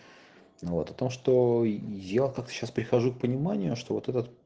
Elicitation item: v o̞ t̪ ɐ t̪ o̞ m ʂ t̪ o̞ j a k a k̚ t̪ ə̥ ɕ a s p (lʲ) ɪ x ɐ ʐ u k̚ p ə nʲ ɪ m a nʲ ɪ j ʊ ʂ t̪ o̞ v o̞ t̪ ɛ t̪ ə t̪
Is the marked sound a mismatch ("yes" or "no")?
yes